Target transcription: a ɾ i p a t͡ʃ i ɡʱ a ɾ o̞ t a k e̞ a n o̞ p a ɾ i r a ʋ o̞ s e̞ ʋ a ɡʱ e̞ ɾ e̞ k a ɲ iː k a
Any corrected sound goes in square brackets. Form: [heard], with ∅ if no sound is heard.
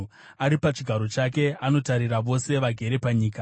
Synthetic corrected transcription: a ɾ i p a t͡ʃ i ɡʱ a ɾ o̞ [t͡ʃ] a k e̞ a n o̞ [t] a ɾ i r a ʋ o̞ s e̞ ʋ a ɡʱ e̞ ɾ e̞ [p] a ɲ iː k a